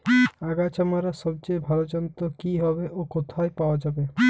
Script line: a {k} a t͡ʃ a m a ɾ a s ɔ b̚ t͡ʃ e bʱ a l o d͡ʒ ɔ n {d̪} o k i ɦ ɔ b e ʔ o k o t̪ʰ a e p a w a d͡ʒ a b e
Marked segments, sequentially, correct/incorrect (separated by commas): incorrect, incorrect